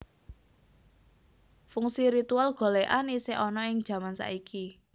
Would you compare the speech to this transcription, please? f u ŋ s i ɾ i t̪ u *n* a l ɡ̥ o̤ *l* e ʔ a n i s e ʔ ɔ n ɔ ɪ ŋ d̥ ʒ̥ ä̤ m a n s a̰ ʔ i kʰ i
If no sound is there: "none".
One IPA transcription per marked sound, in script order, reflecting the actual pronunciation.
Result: none, l

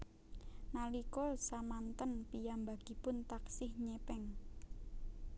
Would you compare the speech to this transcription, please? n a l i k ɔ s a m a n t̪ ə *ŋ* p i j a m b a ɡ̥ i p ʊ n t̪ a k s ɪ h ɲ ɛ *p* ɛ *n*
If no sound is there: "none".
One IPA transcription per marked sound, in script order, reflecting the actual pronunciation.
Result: n, p, ŋ

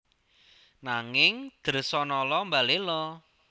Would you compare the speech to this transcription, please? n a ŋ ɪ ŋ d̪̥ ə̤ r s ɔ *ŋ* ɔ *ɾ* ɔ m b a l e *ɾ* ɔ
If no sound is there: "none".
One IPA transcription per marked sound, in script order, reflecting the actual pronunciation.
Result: n, l, l

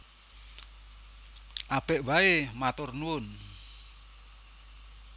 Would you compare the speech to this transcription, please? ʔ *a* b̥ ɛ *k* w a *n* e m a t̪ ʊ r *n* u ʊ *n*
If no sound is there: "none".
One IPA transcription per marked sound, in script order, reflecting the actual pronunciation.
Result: a, ʔ, none, n, n

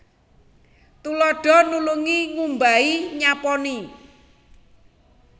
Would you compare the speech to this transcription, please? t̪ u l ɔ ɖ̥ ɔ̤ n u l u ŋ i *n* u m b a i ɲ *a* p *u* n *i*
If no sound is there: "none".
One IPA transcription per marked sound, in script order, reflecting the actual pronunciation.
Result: ŋ, a, ɔ, i

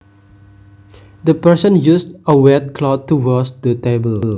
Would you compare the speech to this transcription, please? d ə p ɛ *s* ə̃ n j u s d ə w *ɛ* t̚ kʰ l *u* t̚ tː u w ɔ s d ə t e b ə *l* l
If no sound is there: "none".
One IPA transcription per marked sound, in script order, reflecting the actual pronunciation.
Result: s, ɛ, ɔ, l

